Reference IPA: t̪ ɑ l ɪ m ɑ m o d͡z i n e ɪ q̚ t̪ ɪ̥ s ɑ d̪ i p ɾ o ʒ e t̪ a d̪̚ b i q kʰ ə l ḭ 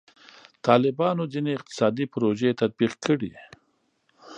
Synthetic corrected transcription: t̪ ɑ l ɪ b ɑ n o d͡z i n e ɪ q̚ t̪ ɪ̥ s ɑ d̪ i p ɾ o ʒ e t̪ a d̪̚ b i q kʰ ə ɽ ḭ